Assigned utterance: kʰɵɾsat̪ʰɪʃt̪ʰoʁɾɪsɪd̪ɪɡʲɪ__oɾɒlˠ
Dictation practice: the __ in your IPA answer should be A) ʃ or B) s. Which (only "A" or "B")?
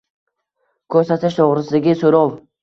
B